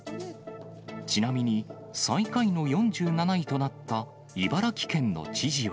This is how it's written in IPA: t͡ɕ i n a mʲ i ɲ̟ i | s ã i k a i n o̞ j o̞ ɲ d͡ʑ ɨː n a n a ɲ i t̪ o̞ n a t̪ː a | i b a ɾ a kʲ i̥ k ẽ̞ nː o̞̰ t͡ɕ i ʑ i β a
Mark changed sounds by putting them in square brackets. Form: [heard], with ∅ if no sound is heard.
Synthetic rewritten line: t͡ɕ i n a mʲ i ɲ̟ i | s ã i k a i n o̞ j [õ̞] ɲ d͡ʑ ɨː n a n a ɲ i t̪ o̞ n a t̪ː a | i b a ɾ a kʲ i̥ k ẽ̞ nː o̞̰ t͡ɕ i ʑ i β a